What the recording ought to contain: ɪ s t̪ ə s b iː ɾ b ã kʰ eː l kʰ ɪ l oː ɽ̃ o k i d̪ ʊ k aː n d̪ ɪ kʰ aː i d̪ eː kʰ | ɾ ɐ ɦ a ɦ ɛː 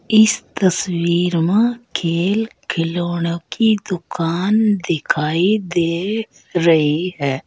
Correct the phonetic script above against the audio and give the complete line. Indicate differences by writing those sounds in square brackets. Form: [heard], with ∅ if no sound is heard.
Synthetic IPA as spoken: ɪ s t̪ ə s [w] iː ɾ [m] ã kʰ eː l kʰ ɪ l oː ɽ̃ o k i d̪ ʊ k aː n d̪ ɪ kʰ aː i d̪ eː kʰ | ɾ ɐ ɦ [i] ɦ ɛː